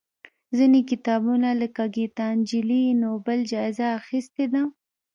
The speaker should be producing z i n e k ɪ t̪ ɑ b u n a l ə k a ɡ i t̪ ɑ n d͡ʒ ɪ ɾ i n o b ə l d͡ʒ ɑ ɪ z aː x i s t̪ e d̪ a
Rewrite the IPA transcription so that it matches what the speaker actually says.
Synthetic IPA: z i n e k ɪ t̪ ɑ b u n a l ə k a ɡ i t̪ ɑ n d͡ʒ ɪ l i n o b ə l d͡ʒ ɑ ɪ z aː x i s t̪ e d̪ a